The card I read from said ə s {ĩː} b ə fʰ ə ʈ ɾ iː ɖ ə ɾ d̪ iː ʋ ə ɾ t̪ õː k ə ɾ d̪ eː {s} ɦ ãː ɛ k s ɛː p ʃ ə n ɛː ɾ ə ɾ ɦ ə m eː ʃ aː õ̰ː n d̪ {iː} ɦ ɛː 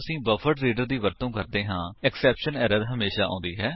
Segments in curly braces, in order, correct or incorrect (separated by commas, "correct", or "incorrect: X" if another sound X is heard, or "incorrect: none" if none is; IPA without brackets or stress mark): correct, incorrect: none, correct